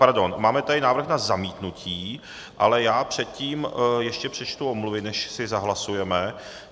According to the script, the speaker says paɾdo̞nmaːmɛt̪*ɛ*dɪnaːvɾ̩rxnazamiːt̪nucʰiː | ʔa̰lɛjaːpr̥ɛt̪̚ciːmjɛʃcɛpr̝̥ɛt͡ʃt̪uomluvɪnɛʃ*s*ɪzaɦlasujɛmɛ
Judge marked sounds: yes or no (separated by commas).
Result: no, yes